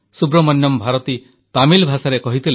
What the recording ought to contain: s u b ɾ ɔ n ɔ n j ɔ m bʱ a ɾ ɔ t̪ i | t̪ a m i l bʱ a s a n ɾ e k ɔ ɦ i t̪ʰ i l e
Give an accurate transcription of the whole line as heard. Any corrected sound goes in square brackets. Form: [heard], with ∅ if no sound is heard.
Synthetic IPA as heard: s u b ɾ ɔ [m] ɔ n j ɔ m bʱ a ɾ ɔ t̪ i | t̪ a m i l bʱ a s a [∅] ɾ e k ɔ ɦ i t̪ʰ i l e

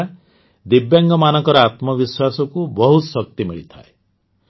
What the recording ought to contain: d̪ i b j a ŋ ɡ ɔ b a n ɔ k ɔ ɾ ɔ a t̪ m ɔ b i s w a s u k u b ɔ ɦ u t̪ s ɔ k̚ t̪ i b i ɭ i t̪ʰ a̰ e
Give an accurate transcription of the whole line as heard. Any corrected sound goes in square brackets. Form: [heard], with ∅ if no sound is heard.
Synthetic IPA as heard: d̪ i b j a ŋ ɡ ɔ [m] a n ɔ k ɔ ɾ ɔ a t̪ m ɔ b i s w a s [ɔ] k u b ɔ ɦ u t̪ s ɔ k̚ t̪ i [m] i ɭ i t̪ʰ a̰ e

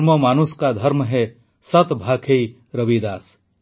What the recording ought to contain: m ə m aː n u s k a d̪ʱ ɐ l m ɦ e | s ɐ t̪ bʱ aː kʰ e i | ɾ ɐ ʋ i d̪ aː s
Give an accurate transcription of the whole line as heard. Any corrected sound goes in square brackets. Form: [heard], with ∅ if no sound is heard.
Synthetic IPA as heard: m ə m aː n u s k a d̪ʱ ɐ [ɾ] m ɦ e | s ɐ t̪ bʱ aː kʰ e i | ɾ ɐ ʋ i d̪ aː s

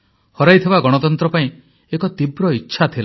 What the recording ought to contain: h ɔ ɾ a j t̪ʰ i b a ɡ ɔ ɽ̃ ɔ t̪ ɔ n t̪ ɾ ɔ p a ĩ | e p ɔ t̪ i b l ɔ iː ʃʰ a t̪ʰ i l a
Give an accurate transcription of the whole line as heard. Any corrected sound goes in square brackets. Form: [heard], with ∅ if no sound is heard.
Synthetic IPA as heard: h ɔ ɾ a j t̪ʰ i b a ɡ ɔ ɽ̃ ɔ t̪ ɔ n t̪ ɾ ɔ p a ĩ | e [k] ɔ t̪ i b [ɾ] ɔ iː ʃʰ a t̪ʰ i l a

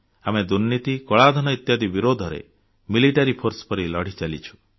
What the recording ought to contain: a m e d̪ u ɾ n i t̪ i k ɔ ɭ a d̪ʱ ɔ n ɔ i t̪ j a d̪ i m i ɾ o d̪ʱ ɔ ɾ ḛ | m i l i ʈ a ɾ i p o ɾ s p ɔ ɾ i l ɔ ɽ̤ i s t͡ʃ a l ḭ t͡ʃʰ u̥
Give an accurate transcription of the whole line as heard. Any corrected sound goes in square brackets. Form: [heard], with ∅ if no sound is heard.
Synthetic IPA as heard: a m e d̪ u ɾ n i t̪ i k ɔ ɭ a d̪ʱ ɔ n ɔ i t̪ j a d̪ i [b] i ɾ o d̪ʱ ɔ ɾ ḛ | m i l i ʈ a ɾ i [pʰ] o ɾ s p ɔ ɾ i l ɔ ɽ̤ i [∅] t͡ʃ a l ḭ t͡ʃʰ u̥

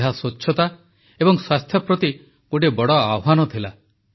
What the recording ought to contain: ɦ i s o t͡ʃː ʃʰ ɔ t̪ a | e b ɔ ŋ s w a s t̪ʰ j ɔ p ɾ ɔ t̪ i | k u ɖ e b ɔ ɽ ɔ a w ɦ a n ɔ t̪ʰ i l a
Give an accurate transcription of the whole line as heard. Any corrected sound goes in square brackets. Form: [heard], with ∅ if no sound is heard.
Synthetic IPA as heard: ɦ [a] s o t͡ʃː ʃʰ ɔ t̪ a | e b ɔ ŋ s w a s t̪ʰ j ɔ p ɾ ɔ t̪ i | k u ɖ e b ɔ ɽ ɔ a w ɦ a n ɔ t̪ʰ i l a

